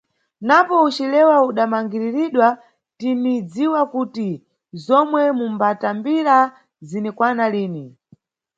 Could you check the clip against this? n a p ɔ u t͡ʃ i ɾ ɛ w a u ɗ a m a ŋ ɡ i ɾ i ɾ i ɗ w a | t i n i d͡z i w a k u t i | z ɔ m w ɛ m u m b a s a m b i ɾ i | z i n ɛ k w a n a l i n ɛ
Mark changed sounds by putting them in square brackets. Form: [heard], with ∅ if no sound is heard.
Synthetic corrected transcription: n a p ɔ u t͡ʃ i [l] ɛ w a u ɗ a m a ŋ ɡ i ɾ i ɾ i ɗ w a | t i n i d͡z i w a k u t i | z ɔ m w ɛ m u m b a [t] a m b i ɾ [a] | z i n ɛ k w a n a l [iː] n [i]